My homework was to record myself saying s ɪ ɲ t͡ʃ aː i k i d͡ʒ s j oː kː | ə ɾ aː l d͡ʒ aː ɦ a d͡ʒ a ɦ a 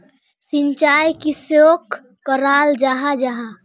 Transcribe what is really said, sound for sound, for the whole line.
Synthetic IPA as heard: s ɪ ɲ t͡ʃ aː j k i s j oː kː | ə ɾ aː l d͡ʒ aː ɦ a d͡ʒ a ɦ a